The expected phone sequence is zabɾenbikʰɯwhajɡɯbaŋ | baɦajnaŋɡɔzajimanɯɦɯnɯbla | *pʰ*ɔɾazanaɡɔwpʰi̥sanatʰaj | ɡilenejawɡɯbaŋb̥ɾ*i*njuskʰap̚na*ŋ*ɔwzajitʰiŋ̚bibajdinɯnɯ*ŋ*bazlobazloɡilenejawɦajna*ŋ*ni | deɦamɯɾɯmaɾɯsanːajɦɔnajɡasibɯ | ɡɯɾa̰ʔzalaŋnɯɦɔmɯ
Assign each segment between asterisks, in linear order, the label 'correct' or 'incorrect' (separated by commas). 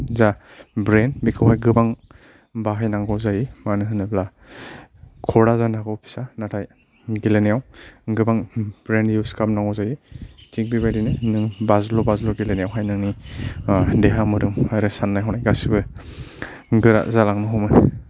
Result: incorrect, incorrect, correct, correct, correct